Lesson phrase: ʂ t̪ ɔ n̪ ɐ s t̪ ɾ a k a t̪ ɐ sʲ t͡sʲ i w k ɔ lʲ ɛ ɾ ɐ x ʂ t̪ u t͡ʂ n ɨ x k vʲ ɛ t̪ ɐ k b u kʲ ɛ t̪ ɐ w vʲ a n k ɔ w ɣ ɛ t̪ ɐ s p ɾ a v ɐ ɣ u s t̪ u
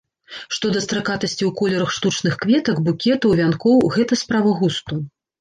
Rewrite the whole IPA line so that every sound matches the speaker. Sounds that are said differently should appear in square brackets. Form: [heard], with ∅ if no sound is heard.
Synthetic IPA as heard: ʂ t̪ ɔ [d̪] ɐ s t̪ ɾ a k a t̪ ɐ sʲ t͡sʲ i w k ɔ lʲ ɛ ɾ ɐ x ʂ t̪ u t͡ʂ n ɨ x k vʲ ɛ t̪ ɐ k b u kʲ ɛ t̪ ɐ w vʲ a n k ɔ w ɣ ɛ t̪ ɐ s p ɾ a v ɐ ɣ u s t̪ u